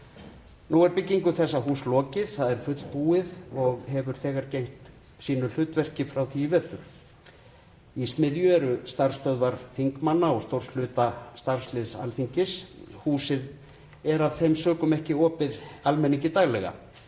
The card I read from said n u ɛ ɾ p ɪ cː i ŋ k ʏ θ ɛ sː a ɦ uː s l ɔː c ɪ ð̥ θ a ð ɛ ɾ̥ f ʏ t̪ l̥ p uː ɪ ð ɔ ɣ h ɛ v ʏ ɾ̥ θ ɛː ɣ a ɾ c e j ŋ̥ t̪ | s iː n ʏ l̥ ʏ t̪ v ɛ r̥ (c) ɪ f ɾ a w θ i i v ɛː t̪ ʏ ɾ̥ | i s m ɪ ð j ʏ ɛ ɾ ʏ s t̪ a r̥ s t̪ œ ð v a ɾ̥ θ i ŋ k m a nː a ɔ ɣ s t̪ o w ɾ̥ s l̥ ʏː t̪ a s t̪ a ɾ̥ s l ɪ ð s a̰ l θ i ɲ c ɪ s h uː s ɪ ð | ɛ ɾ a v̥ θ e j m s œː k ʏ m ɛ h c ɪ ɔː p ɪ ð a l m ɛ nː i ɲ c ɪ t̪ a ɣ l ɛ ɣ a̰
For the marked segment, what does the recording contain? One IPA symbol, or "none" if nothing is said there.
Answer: c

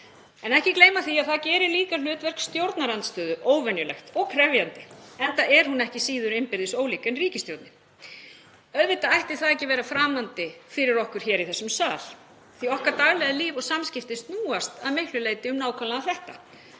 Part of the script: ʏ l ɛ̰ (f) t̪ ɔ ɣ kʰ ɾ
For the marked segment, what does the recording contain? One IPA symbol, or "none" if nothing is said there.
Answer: x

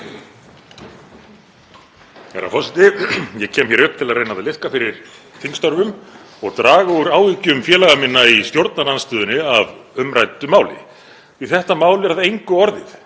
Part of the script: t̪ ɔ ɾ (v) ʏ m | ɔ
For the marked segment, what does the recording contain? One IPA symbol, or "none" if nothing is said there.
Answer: v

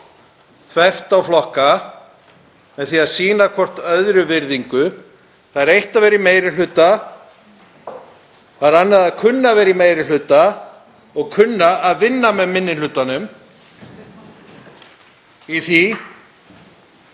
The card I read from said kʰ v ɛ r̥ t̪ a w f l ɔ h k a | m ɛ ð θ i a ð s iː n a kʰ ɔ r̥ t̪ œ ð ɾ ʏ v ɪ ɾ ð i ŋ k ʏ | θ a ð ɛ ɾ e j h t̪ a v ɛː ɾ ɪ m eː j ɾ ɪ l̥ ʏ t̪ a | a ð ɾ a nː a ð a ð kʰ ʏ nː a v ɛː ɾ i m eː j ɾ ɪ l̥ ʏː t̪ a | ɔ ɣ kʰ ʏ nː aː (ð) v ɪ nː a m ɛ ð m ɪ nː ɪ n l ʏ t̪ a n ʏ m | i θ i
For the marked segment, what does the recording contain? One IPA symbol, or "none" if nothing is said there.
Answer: ð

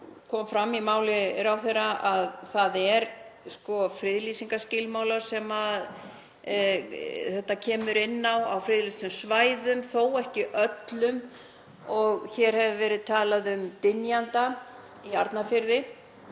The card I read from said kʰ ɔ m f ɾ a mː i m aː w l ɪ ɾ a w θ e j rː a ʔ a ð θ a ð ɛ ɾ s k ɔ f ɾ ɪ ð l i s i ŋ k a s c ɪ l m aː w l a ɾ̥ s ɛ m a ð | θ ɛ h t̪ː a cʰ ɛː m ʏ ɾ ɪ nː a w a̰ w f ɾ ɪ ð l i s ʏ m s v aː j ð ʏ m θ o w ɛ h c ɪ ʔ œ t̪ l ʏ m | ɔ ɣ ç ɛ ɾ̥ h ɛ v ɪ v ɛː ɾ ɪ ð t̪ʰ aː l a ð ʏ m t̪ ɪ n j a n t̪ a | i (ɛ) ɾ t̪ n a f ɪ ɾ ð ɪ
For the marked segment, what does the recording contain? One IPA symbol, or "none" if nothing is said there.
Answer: a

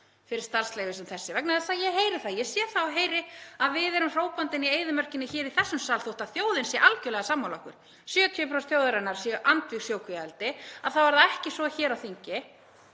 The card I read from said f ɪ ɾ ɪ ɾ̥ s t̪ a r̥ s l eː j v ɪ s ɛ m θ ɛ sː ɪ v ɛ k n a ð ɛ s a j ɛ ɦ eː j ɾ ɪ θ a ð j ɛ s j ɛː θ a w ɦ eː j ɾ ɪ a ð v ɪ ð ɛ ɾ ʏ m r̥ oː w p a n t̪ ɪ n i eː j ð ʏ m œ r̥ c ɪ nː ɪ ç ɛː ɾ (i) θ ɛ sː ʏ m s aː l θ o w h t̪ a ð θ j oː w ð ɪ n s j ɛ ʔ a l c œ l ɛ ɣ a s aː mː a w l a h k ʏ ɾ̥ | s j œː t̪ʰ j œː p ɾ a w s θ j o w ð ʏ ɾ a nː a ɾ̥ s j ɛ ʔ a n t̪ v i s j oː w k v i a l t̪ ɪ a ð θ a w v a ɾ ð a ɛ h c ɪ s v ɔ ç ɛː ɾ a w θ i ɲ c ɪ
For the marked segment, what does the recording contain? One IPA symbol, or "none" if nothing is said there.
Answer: i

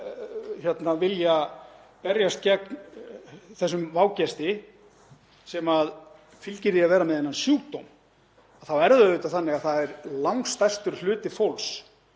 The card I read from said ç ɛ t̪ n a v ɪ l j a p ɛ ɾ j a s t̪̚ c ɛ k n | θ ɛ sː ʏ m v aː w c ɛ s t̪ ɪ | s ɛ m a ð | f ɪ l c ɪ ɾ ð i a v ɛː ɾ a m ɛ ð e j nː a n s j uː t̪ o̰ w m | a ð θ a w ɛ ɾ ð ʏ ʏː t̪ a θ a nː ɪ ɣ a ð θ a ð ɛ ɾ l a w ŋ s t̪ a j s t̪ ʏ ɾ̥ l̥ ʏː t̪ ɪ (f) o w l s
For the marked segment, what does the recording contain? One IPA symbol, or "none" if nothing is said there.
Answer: f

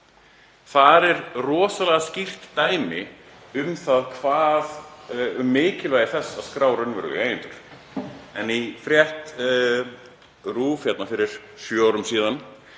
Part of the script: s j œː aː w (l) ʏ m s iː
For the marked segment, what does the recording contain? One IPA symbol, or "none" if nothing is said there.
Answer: ɾ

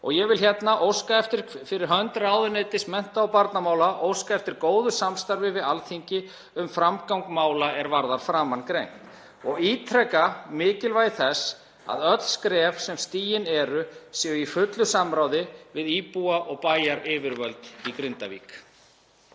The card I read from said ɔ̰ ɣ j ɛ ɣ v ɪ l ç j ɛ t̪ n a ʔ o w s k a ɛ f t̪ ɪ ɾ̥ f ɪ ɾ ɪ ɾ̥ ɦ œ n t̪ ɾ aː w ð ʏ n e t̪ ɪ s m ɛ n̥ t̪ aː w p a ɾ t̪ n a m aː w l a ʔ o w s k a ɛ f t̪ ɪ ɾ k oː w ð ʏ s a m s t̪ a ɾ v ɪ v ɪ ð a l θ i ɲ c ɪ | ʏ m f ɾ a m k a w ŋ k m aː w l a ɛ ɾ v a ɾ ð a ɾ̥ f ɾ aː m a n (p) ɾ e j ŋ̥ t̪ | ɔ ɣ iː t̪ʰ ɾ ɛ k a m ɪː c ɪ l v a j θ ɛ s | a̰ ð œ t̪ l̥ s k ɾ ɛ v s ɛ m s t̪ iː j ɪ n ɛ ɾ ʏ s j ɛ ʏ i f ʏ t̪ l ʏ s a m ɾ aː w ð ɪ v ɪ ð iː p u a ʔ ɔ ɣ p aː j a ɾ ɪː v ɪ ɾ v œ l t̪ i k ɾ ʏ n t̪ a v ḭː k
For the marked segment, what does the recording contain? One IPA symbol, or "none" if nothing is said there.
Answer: k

